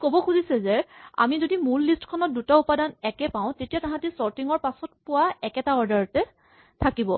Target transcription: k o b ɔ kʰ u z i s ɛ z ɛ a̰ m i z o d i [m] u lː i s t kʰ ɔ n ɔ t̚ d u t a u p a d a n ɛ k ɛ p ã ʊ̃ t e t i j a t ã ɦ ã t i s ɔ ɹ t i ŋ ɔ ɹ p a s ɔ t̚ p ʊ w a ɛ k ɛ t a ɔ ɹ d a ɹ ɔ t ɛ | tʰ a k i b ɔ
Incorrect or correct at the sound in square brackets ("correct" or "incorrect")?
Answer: correct